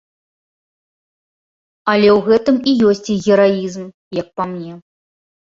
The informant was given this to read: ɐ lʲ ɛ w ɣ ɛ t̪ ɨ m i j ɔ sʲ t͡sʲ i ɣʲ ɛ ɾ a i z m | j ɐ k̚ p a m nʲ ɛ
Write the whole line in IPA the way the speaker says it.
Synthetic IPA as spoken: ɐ lʲ ɛ w ɣ ɛ t̪ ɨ m i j ɔ sʲ t͡sʲ i ɣʲ ɛ ɾ a i z m | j ɐ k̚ p a m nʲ ɛ